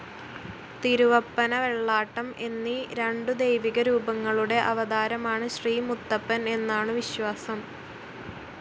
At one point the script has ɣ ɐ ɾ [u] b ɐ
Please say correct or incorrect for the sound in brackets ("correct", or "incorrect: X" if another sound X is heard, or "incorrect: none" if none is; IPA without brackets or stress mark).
incorrect: uː